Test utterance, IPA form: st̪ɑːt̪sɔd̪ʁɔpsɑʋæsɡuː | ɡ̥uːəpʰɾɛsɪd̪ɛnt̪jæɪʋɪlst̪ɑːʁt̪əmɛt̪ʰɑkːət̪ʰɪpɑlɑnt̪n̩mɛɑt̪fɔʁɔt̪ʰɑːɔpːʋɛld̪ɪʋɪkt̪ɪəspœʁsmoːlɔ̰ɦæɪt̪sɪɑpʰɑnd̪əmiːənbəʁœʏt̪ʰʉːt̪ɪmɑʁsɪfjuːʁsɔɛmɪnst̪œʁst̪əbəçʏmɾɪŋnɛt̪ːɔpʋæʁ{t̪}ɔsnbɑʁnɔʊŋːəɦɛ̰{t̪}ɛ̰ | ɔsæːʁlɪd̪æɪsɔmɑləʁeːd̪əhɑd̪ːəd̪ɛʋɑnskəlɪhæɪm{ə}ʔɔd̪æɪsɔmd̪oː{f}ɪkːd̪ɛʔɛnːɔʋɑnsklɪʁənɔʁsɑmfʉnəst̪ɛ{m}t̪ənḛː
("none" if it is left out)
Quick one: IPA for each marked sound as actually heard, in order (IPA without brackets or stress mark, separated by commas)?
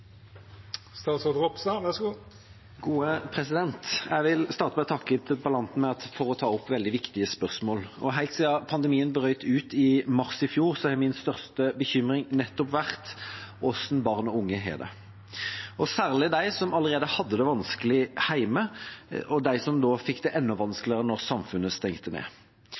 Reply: t̪, d̪, ə, f, ŋ